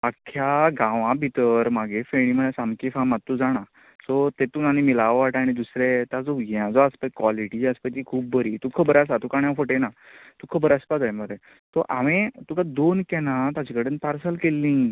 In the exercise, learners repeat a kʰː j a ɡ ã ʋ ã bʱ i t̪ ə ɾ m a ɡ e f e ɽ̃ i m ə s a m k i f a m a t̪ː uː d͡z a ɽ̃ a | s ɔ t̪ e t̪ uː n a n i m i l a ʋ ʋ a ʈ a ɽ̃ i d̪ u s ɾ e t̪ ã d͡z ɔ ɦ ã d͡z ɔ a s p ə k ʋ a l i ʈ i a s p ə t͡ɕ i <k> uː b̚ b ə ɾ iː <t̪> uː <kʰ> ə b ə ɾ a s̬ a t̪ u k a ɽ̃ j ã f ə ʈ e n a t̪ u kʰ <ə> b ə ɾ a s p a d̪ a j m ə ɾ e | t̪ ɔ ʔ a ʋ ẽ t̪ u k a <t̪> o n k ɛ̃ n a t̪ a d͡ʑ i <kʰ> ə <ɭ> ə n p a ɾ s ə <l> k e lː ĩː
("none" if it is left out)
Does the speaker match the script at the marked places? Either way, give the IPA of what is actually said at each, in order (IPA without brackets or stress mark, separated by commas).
kʰ, t̪, kʰ, ə, d̪, k, ɽ, l